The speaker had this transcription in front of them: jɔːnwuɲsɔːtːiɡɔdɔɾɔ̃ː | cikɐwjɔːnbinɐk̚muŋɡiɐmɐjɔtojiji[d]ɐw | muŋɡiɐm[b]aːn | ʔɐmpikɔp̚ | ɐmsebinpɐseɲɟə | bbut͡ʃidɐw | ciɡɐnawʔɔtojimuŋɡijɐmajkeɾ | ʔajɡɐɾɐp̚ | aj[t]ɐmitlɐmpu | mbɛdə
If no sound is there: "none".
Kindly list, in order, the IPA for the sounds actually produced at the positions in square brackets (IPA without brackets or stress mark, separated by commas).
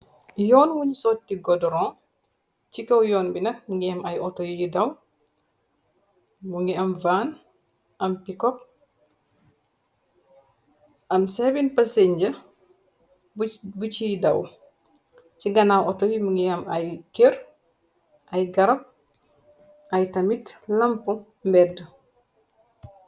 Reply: d, v, t